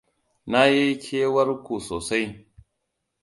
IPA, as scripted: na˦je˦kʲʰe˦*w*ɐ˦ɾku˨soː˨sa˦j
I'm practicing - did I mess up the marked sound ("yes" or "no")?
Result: no